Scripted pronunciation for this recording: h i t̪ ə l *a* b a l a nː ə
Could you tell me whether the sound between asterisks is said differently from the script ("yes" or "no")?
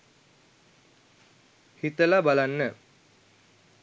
no